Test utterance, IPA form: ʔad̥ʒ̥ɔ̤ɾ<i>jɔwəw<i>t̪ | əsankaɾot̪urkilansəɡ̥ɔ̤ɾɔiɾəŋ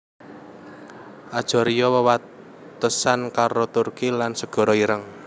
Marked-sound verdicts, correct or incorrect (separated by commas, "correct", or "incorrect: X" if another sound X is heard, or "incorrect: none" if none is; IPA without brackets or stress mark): correct, incorrect: a